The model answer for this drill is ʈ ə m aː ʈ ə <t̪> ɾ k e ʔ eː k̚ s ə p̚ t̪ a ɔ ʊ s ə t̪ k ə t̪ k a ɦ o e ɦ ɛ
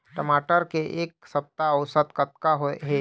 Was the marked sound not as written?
yes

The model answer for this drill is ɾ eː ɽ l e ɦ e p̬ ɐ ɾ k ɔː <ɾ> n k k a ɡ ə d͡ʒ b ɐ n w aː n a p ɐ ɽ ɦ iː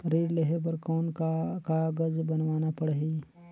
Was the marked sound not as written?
yes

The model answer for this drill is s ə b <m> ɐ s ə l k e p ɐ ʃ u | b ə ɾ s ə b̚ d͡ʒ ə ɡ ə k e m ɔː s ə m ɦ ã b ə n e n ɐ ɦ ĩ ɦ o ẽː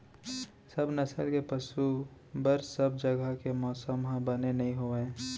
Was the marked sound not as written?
yes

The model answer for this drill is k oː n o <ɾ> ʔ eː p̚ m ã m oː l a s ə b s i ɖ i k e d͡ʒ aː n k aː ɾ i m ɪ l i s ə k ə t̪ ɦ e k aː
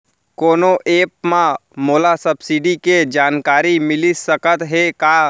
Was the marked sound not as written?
yes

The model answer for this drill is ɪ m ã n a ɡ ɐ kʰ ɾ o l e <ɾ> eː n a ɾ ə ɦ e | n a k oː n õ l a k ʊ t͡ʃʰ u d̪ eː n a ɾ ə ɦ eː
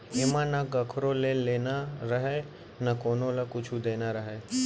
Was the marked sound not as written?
yes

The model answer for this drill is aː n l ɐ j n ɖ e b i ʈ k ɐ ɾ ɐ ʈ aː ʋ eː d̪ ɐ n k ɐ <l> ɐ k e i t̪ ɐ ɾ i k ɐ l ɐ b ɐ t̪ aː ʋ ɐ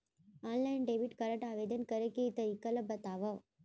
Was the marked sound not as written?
yes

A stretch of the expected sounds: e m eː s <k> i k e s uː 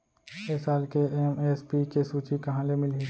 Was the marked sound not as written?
yes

